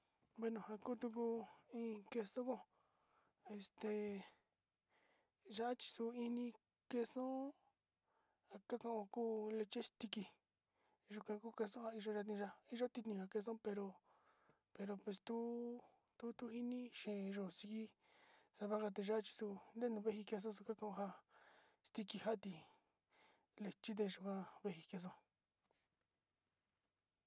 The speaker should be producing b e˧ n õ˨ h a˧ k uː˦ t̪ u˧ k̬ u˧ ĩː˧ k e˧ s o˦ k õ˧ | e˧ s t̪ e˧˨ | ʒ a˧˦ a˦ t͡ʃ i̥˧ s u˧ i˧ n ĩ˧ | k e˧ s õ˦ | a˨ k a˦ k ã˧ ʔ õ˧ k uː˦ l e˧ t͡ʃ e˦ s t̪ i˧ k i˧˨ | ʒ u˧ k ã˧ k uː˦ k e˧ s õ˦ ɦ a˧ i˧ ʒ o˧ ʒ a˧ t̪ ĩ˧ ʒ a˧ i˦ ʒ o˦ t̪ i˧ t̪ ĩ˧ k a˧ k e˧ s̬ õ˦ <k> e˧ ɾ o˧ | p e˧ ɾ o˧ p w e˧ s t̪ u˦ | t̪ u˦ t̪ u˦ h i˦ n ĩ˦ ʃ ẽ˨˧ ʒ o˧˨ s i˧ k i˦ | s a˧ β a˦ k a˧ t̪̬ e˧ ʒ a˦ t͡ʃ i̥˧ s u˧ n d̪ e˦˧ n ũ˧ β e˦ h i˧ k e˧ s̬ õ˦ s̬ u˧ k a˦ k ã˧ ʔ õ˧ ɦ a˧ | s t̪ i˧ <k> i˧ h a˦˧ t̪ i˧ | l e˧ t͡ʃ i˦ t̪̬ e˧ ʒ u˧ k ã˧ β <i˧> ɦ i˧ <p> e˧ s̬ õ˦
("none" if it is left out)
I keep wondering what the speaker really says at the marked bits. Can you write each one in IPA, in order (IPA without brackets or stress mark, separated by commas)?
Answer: p, k, e˧, k